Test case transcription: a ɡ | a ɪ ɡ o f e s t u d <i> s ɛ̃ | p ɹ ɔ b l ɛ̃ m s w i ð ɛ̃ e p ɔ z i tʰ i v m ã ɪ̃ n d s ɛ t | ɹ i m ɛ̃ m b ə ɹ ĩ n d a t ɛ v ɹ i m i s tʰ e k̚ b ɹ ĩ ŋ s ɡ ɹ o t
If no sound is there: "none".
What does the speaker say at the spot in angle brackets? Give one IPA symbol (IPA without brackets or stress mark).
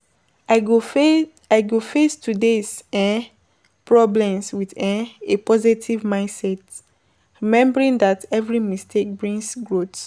e